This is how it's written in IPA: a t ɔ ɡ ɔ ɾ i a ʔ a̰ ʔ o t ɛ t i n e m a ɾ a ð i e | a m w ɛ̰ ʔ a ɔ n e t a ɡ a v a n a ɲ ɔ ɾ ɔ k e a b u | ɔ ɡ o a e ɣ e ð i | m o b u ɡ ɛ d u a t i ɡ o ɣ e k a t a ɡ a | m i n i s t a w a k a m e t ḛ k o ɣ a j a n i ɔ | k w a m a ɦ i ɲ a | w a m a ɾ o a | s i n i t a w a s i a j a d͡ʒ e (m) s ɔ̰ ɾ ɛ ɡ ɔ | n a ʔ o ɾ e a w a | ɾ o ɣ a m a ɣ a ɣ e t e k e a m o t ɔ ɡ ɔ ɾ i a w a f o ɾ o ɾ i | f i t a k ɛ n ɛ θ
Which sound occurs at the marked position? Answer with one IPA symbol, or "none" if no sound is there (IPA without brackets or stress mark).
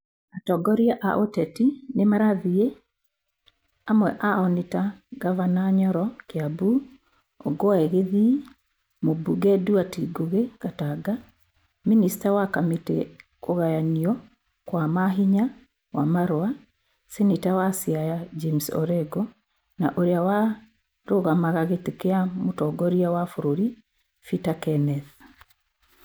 m